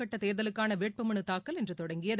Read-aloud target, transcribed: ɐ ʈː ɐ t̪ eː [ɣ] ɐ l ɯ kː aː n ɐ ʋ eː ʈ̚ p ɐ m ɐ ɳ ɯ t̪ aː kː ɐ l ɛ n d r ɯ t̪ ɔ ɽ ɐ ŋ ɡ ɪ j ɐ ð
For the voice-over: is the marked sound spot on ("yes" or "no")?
no